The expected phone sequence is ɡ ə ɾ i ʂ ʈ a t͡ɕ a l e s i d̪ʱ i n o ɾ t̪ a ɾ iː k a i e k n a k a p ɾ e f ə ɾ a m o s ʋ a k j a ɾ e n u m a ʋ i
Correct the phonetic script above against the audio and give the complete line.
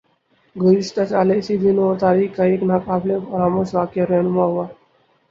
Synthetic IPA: ɡ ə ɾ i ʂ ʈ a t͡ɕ a l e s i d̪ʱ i n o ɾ t̪ a ɾ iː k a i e k n a k a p l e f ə ɾ a m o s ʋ a k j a ɾ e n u m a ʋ a